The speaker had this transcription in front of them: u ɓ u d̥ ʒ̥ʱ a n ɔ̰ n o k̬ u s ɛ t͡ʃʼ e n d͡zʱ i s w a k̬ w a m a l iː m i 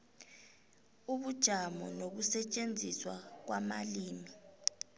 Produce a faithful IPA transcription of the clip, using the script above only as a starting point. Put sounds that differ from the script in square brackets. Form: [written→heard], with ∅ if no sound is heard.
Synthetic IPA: u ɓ u d̥ ʒ̥ʱ a [n→m] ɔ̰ n o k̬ u s ɛ t͡ʃʼ e n d͡zʱ i s w a k̬ w a m a l iː m i